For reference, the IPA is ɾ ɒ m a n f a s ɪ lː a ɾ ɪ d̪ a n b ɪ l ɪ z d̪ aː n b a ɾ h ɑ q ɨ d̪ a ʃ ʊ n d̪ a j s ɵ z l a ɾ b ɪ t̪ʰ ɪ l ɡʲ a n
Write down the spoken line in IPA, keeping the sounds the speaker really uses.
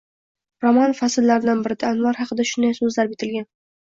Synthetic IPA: ɾ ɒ m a n f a s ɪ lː a ɾ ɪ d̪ a n b ɪ ɾ ɪ d̪ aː n v a ɾ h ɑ q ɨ d̪ a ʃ ʊ n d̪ a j s ɵ z l a ɾ b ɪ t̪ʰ ɪ l ɡʲ a n